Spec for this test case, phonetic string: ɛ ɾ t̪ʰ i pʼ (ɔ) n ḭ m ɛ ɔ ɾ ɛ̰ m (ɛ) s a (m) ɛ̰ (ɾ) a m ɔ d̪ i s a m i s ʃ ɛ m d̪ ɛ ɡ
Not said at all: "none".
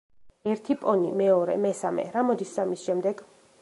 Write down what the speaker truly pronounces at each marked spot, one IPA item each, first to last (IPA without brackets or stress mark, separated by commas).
ɔ, ɛ, m, ɾ